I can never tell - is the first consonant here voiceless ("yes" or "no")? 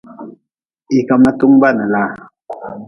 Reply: yes